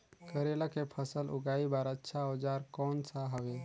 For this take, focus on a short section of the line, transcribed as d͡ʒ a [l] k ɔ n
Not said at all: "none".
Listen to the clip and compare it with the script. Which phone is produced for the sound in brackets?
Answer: ɾ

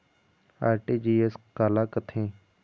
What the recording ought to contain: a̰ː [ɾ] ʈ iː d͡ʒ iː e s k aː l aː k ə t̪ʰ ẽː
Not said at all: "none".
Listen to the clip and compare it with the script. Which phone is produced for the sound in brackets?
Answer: ɾ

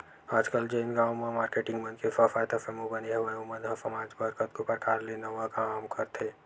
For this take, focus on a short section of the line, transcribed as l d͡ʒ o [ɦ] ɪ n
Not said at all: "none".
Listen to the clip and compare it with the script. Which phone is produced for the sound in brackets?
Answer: none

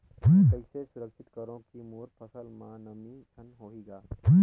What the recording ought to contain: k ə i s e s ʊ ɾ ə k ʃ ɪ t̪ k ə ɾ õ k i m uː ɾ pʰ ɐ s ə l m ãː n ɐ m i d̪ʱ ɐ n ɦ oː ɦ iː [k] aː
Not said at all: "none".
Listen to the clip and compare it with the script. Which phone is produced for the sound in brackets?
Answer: ɡ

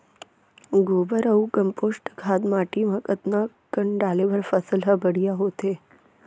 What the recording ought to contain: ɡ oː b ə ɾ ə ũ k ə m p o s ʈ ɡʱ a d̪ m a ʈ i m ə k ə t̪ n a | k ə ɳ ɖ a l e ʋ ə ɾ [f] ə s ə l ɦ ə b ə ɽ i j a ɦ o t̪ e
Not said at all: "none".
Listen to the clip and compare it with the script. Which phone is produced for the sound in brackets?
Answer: f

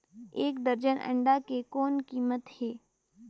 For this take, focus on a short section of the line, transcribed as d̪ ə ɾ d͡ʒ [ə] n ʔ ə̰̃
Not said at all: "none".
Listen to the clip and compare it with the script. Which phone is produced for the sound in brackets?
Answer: ə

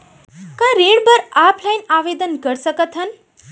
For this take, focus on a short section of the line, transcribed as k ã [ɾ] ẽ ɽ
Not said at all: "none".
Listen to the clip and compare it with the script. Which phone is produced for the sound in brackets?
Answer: ɾ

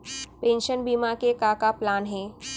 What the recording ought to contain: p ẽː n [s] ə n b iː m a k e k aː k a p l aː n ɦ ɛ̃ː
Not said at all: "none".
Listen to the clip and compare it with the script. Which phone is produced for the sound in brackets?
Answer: ʃ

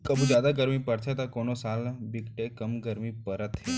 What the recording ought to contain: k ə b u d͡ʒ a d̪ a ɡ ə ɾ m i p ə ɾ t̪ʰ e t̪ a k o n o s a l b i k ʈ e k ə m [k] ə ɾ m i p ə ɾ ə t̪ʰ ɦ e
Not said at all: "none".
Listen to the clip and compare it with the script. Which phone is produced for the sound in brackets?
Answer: ɡ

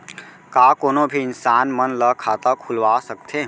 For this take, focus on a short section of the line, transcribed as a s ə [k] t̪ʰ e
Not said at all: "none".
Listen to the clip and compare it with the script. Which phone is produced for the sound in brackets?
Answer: k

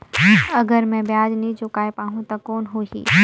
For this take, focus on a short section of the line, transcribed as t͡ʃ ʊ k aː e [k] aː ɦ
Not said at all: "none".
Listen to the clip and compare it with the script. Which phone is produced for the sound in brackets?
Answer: p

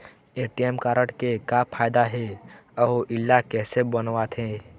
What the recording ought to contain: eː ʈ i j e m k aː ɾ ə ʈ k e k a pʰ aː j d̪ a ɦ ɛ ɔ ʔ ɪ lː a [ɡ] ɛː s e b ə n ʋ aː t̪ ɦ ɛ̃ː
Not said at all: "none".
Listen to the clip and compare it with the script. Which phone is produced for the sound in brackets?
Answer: k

